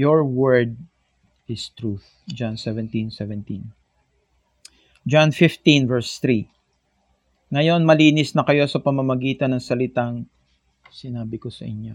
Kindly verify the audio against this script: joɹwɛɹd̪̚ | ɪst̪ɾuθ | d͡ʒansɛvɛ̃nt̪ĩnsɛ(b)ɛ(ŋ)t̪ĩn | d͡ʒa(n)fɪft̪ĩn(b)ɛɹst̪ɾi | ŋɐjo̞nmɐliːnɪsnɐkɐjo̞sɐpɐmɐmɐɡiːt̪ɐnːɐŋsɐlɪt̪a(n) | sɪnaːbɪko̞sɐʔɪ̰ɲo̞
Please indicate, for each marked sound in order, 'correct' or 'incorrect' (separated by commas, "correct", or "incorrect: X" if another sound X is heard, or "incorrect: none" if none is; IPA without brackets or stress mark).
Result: incorrect: v, incorrect: n, correct, incorrect: v, incorrect: ŋ